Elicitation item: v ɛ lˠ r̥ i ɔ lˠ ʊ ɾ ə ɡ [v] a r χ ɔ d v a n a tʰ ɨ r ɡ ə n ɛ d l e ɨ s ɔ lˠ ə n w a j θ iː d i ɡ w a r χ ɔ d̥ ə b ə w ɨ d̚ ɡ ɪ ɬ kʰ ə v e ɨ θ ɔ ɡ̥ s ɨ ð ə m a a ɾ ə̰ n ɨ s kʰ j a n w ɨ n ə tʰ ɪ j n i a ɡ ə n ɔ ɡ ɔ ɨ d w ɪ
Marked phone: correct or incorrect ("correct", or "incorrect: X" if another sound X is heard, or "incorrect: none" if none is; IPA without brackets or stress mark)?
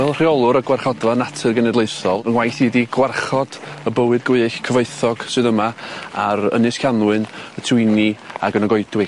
incorrect: w